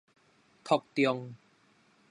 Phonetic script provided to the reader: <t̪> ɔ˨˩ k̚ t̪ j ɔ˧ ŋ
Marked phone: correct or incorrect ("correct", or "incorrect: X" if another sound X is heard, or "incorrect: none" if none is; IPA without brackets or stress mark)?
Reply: incorrect: t̪ʰ